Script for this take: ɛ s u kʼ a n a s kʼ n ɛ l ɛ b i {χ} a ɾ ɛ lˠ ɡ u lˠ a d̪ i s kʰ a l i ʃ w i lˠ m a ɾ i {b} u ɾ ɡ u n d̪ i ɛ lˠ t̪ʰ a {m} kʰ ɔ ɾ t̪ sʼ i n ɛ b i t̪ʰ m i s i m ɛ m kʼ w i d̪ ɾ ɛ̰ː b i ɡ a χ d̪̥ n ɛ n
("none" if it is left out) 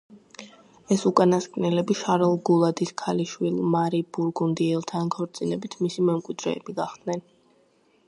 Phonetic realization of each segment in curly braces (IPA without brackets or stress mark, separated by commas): ʃ, b, n